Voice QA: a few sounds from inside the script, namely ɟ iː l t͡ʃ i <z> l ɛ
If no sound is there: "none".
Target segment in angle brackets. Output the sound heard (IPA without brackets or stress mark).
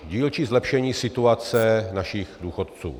z